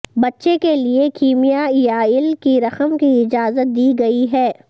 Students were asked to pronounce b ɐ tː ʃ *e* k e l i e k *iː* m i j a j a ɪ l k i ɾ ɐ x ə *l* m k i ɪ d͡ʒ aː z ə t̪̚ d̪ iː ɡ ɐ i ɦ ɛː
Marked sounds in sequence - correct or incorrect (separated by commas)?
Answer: correct, correct, incorrect